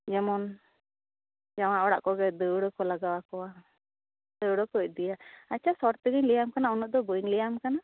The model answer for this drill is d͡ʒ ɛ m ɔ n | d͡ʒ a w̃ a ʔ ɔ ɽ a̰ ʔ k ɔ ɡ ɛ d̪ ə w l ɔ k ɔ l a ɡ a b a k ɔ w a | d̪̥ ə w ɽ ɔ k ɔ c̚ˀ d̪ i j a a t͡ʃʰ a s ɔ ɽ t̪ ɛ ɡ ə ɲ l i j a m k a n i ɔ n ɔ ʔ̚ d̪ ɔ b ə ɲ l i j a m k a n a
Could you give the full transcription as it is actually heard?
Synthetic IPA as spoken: d͡ʒ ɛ m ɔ n | d͡ʒ a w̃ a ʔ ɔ ɽ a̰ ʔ k ɔ ɡ ɛ d̪ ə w ɽ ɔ k ɔ l a ɡ a w a k ɔ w a | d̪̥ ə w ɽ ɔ k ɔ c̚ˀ d̪ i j a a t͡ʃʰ a s ɔ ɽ t̪ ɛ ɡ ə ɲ l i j a m k a n a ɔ n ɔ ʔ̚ d̪ ɔ b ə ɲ l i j a m k a n a